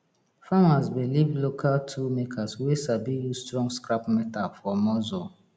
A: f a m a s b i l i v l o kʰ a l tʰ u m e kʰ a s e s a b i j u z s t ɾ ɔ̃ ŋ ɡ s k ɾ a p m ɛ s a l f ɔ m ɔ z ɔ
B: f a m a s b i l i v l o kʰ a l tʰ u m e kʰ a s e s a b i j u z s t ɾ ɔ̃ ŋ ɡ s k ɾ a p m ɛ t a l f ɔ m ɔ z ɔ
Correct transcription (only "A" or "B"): B